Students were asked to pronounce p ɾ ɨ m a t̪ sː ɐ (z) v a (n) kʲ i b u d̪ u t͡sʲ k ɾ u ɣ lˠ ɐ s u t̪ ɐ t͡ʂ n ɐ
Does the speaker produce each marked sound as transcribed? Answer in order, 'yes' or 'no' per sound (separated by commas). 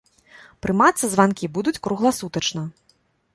yes, yes